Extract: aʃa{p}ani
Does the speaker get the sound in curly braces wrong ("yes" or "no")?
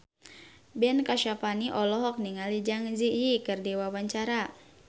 no